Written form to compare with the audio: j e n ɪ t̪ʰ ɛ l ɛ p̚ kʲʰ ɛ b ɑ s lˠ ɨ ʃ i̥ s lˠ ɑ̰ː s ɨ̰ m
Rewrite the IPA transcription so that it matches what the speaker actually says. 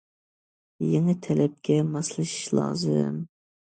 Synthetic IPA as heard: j e ŋ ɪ t̪ʰ ɛ l ɛ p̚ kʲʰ ɛ m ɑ s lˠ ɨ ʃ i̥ ʃ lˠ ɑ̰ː z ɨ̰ m